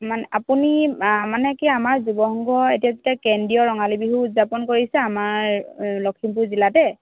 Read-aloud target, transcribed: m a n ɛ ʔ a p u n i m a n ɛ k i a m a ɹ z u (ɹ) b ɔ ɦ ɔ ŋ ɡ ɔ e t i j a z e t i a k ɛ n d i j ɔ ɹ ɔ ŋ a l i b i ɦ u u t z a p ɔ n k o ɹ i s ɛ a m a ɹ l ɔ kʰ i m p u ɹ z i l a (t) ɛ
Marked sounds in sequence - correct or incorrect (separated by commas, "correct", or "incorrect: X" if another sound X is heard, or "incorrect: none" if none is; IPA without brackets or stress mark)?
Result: incorrect: none, correct